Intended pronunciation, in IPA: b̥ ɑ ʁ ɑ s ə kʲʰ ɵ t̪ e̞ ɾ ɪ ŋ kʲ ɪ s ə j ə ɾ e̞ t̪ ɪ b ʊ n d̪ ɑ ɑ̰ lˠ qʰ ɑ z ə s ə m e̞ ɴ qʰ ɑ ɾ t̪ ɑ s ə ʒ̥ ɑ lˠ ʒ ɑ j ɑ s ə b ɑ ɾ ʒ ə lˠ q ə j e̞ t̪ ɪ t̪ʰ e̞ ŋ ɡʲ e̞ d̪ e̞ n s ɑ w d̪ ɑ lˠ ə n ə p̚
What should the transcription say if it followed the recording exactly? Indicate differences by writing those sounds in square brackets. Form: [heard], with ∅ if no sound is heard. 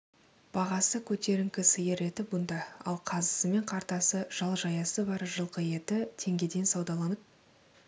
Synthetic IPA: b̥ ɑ ʁ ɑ s ə kʲʰ ɵ t̪ e̞ ɾ ɪ ŋ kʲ ɪ s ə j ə ɾ e̞ t̪ ɪ b ʊ n d̪ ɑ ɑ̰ lˠ qʰ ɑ z ə s ə m e̞ ɴ qʰ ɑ ɾ t̪ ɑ s ə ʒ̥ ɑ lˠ ʒ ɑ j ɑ s ə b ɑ ɾ ʒ ə lˠ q ə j e̞ t̪ ɪ t̪ʰ e̞ ŋ ɡʲ e̞ d̪ e̞ n s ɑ w d̪ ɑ lˠ [ɑ] n ə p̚